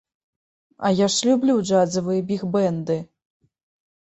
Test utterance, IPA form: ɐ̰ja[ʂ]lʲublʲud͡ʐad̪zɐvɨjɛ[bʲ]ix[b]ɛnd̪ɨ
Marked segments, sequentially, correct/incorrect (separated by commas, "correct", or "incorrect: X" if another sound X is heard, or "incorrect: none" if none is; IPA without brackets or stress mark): correct, correct, correct